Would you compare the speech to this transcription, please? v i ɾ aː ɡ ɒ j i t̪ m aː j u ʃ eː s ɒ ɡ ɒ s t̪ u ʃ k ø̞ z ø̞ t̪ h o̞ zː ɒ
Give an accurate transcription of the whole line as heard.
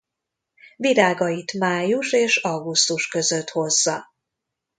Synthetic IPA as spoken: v i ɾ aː ɡ ɒ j i t̪ m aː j u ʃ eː ʃ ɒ ɡ u s t̪ u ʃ k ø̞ z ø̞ t̪ h o̞ zː ɒ